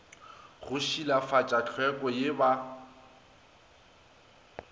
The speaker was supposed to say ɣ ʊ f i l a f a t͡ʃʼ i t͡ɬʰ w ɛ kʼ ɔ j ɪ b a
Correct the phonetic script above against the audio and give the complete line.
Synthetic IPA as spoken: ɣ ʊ ʃ i l a f a t͡ʃʼ a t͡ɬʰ w ɛ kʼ ɔ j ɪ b a